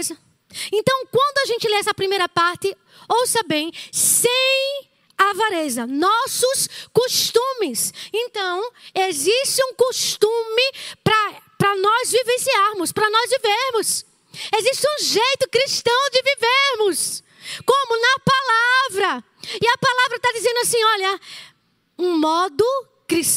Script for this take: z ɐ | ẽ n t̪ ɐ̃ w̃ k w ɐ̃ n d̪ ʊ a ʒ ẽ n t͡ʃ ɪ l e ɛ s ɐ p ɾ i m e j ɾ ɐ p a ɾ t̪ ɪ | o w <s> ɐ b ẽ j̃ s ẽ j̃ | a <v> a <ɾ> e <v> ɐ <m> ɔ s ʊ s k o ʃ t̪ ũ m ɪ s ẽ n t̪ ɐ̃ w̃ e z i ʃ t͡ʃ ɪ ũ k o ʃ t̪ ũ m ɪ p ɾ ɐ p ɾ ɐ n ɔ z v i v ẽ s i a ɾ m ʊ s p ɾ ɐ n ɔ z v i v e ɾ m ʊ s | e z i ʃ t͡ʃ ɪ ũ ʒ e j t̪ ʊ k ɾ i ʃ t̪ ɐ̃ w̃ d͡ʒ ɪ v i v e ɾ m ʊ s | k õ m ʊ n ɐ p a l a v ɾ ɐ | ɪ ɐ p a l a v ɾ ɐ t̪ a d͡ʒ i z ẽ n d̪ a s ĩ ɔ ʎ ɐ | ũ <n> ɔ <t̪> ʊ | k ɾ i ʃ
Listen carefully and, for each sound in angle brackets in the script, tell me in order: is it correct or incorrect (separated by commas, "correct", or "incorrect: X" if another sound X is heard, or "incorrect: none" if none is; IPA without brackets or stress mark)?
correct, correct, correct, incorrect: z, incorrect: n, incorrect: m, incorrect: d̪